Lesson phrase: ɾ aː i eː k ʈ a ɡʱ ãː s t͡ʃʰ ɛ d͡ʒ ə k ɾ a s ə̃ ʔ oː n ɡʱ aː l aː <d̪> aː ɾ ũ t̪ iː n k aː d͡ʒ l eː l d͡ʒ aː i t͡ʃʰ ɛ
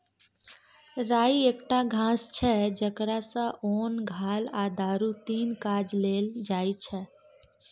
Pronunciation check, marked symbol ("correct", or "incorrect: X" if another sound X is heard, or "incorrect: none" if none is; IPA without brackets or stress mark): correct